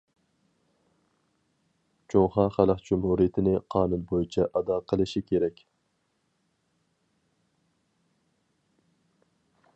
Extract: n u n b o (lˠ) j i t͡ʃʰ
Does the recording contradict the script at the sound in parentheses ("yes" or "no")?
yes